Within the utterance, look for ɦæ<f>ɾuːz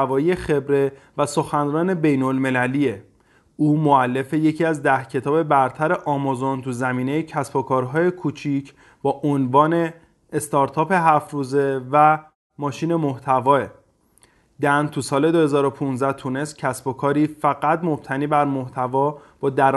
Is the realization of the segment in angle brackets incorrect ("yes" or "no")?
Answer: no